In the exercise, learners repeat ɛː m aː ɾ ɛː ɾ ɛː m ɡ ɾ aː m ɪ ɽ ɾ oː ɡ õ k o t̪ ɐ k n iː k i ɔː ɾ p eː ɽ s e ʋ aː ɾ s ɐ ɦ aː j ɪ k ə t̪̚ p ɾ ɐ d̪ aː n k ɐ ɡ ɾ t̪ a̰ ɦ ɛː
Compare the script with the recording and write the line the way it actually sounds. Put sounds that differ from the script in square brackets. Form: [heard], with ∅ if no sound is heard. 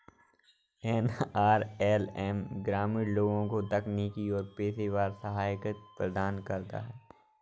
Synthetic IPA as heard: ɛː [n] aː ɾ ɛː [l] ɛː m ɡ ɾ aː m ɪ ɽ [l] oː ɡ õ k o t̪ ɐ k n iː k i ɔː ɾ p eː [∅] s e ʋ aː ɾ s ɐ ɦ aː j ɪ k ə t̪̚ p ɾ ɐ d̪ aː n k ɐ [∅] ɾ t̪ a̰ ɦ ɛː